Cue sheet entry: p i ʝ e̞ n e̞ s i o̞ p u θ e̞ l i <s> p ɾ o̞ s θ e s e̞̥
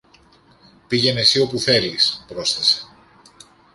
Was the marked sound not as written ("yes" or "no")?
no